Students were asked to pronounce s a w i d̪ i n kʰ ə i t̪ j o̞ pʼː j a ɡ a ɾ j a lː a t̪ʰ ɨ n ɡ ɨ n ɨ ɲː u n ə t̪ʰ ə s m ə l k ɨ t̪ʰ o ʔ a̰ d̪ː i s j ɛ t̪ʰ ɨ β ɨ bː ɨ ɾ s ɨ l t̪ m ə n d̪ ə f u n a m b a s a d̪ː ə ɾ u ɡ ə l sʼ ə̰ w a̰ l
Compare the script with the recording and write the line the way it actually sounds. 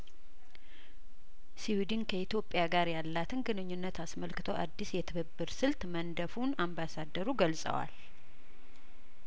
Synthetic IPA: s i w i d̪ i n kʰ ə i t̪ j o̞ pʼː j a ɡ a ɾ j a lː a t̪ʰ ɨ n ɡ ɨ n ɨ ɲː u nː ə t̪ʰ a s m ə l k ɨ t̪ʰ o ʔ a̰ d̪ː i s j ɛ t̪ʰ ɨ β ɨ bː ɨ ɾ s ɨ l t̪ m ə n d̪ ə f u n a m b a s a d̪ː ə ɾ u ɡ ə l sʼ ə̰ w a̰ l